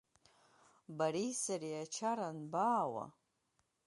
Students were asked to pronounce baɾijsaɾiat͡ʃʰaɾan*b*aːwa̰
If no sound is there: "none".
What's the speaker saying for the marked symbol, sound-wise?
b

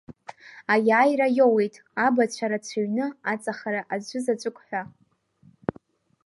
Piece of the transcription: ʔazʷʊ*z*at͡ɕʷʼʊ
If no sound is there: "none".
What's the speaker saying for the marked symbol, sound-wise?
z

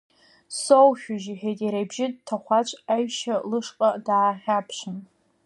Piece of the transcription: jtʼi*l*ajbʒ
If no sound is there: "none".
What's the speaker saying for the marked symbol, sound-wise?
ɾ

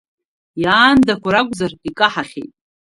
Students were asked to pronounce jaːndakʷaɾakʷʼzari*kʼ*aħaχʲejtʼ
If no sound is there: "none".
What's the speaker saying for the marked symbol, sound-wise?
kʼ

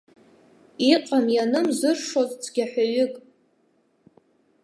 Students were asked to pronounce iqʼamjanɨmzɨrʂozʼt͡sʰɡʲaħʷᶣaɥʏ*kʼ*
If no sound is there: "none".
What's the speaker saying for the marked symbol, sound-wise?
kʼ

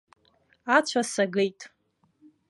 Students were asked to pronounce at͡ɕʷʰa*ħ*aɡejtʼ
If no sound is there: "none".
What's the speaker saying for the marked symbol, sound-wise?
s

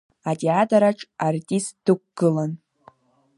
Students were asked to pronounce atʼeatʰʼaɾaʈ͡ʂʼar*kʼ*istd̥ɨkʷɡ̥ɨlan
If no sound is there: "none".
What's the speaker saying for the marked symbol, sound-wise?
tʼ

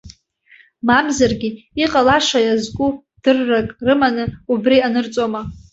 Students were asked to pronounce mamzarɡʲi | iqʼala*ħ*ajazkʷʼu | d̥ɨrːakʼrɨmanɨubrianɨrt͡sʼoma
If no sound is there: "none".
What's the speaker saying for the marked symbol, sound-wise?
ʂ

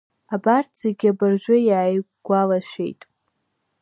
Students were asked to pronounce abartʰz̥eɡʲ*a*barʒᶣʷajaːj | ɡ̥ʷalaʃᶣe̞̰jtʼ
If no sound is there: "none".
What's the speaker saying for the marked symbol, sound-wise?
a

